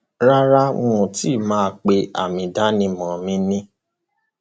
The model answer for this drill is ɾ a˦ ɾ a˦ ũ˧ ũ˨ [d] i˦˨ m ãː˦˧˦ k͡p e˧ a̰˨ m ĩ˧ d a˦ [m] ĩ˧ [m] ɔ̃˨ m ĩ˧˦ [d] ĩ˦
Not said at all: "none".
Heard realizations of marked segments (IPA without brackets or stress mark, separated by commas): t, n, m, n